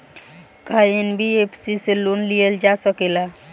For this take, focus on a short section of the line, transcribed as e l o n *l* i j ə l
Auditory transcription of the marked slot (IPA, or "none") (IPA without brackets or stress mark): l